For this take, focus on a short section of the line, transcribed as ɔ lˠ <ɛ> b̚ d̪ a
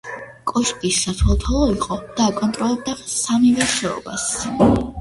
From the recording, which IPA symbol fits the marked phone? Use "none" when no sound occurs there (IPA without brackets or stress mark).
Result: ɛ